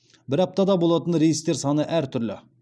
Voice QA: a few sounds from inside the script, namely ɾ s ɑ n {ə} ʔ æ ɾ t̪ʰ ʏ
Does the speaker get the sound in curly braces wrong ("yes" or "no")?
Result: no